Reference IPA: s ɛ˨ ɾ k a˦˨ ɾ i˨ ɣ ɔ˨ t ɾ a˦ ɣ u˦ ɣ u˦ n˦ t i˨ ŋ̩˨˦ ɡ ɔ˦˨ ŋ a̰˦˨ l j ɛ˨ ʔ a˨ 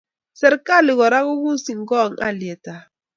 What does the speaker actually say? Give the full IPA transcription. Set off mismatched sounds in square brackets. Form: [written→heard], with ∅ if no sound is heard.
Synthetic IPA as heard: s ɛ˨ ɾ k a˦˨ [ɾ→l] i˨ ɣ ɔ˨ [t→∅] ɾ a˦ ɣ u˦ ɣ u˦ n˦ [t→s] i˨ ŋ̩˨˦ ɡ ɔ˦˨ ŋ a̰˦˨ l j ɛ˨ [ʔ→t] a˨

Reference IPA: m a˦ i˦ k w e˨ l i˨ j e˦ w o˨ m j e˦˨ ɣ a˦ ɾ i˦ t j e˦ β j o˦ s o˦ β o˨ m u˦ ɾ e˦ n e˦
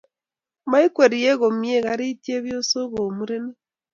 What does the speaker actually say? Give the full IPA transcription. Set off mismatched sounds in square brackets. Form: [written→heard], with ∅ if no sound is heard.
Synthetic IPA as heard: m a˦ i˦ k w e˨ [l→ɾ] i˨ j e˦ [w→ɣ] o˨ m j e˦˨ ɣ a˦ ɾ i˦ t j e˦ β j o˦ s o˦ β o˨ m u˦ ɾ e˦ n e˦

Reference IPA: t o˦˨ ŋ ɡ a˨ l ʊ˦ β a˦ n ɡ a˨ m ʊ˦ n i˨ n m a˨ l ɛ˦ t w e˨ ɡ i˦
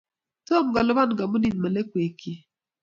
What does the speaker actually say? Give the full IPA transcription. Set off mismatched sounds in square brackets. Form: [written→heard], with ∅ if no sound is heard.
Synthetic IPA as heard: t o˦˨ [ŋ→m] ɡ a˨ l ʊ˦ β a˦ n ɡ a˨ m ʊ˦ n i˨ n m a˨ l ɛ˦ [t→k] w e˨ [ɡ→k] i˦

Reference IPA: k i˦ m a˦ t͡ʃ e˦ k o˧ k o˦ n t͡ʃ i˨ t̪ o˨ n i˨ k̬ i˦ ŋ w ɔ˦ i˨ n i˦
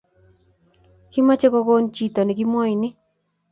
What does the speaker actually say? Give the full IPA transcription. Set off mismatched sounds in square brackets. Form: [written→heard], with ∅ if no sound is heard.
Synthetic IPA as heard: k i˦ m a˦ t͡ʃ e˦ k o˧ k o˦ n t͡ʃ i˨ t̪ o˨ n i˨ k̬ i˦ [ŋ→m] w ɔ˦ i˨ n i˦

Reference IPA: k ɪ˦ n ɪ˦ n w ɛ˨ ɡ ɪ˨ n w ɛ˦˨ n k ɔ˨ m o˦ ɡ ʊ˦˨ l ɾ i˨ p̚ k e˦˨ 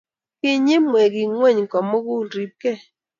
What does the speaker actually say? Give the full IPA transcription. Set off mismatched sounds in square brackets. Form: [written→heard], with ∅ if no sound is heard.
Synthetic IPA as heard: k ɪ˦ [n→ɲ] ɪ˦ [n→m] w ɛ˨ ɡ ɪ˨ [n→ŋ] w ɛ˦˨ [n→ɲ] k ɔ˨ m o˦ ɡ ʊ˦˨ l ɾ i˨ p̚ k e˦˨

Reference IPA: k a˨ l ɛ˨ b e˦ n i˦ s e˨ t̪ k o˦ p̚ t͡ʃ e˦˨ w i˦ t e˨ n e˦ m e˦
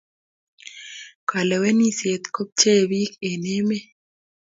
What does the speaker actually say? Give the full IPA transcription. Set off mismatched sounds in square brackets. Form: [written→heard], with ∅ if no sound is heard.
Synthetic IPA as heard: k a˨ l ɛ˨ [b→w] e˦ n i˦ s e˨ t̪ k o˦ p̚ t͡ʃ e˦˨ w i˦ [t→k] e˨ n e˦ m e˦

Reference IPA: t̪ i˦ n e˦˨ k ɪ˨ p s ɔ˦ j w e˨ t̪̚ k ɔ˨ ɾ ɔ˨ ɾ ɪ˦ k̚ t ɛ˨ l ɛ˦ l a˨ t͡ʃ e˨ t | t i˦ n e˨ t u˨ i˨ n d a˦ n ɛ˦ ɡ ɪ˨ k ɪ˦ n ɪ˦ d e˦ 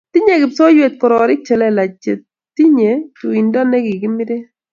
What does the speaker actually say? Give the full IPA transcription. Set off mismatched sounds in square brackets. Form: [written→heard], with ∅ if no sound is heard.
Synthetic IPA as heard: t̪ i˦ [n→ɲ] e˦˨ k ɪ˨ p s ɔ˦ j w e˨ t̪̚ k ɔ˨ ɾ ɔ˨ ɾ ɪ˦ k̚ [t→t͡ʃ] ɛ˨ l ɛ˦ l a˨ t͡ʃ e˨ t | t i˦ [n→ɲ] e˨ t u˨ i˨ n d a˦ n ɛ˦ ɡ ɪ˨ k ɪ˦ [n→m] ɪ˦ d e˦

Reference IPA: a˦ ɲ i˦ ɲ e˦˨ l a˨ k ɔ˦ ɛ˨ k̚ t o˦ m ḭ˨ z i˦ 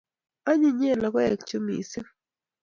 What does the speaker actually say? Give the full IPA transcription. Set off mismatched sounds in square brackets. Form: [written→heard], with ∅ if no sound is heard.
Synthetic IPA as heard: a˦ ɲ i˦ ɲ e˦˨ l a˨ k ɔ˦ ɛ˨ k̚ [t→t͡ʃ] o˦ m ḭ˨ [z→s] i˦

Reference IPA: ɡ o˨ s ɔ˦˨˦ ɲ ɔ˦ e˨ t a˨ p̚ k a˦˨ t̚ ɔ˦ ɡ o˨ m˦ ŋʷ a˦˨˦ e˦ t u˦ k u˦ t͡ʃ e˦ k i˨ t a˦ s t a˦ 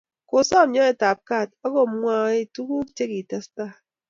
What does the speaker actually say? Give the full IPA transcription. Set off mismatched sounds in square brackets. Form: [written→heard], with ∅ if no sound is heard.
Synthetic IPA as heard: [ɡ→k] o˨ s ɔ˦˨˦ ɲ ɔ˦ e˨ t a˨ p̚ k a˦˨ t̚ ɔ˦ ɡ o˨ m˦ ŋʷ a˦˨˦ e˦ t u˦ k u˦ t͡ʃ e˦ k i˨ t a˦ s t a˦

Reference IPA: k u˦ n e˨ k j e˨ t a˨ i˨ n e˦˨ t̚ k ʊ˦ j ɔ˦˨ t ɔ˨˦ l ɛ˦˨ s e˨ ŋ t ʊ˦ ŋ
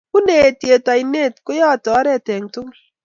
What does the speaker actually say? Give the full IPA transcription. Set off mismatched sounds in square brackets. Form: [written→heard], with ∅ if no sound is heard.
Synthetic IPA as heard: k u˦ n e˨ [k→t] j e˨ t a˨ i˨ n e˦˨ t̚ k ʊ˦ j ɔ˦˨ t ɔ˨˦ [l→ɾ] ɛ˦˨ [s→t] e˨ ŋ t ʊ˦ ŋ

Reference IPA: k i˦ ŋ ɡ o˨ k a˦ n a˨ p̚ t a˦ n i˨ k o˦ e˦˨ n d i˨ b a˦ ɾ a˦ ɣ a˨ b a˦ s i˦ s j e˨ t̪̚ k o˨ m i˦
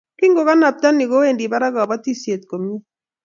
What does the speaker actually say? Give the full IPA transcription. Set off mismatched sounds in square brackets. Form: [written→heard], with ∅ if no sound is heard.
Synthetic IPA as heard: k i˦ ŋ ɡ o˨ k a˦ n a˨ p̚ t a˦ n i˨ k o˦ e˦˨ n d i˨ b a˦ ɾ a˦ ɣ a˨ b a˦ [s→t] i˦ s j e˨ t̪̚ k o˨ m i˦

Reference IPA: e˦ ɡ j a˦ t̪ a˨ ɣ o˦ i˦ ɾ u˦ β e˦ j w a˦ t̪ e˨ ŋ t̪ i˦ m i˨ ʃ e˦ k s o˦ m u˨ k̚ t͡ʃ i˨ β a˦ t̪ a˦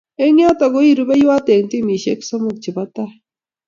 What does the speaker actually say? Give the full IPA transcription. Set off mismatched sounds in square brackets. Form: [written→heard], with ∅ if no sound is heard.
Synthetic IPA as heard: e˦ [ɡ→ŋ] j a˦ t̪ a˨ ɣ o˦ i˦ ɾ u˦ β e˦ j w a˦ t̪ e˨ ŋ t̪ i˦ m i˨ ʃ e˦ k s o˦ m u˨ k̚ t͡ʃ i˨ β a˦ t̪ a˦

